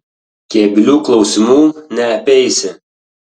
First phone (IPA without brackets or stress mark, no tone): kʲ